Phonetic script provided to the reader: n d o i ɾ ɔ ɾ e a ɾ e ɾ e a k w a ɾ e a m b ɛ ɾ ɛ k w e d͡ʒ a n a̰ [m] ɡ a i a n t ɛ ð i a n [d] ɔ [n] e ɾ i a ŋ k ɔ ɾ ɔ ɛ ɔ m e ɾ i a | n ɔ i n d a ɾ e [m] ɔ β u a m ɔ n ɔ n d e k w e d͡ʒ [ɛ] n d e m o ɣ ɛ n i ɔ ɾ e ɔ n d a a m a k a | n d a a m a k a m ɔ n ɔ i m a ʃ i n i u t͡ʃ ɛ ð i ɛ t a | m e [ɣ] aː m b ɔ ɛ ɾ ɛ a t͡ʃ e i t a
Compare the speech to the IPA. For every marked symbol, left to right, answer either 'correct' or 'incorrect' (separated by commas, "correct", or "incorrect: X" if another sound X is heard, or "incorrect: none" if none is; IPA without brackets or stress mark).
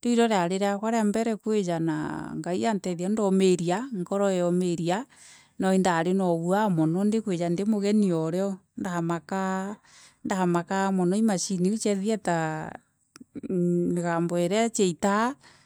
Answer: incorrect: ŋ, correct, incorrect: m, incorrect: n, incorrect: a, correct